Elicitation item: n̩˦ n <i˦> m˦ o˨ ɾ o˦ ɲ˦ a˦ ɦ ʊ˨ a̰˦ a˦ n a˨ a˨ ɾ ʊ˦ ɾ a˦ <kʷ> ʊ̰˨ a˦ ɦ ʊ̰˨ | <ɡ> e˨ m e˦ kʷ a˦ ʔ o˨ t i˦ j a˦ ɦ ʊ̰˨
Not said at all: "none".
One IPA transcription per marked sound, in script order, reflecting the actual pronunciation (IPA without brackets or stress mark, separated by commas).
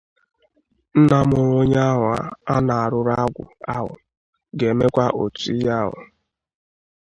a˦, ɡʷ, ɡ